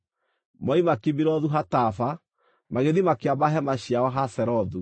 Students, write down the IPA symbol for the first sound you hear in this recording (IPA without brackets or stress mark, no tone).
m